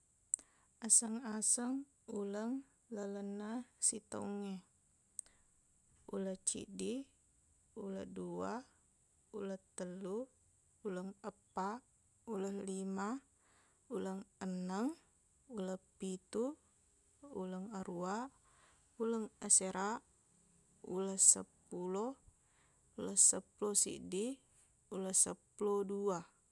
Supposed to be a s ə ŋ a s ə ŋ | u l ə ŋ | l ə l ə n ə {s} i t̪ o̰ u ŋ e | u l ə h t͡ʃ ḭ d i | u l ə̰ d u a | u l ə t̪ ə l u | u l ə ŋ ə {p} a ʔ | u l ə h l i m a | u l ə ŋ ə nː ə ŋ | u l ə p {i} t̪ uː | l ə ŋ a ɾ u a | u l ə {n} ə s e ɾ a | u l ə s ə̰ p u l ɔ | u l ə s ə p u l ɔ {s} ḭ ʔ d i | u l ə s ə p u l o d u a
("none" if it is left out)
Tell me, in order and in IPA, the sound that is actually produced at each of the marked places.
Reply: s, p, i, ŋ, s

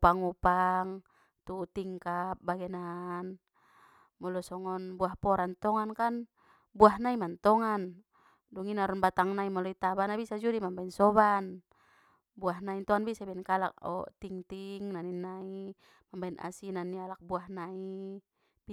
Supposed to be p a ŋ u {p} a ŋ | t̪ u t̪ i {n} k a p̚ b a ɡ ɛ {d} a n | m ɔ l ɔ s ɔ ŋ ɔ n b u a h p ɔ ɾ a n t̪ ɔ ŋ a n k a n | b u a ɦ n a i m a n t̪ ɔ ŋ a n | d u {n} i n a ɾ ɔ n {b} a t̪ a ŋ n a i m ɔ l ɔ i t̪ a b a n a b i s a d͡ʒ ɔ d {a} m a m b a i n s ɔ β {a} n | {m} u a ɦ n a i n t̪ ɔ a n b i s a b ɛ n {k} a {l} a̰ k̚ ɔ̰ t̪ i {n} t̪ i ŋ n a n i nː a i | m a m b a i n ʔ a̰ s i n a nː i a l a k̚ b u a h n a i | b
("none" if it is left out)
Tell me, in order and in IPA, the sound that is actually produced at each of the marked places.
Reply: p, ŋ, n, ŋ, b, i, a, b, k, l, ŋ

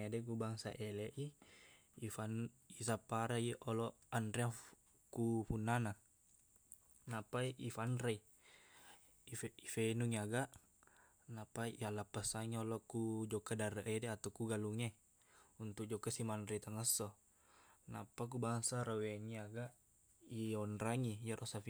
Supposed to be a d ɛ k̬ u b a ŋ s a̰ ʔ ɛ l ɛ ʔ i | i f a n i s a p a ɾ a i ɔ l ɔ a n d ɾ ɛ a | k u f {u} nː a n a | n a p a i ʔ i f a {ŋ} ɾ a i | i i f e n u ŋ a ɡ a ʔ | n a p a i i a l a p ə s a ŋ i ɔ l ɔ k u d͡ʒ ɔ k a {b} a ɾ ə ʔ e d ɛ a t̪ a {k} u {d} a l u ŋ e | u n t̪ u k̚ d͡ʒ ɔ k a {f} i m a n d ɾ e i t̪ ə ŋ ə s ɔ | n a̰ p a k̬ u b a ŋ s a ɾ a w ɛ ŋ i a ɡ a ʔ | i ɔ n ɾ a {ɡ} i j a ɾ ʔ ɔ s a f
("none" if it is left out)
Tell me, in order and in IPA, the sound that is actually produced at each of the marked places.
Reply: u, n, d, k, ɡ, s, ŋ

